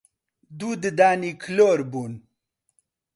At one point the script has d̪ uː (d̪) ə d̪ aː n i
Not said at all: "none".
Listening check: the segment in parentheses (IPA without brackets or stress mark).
d̪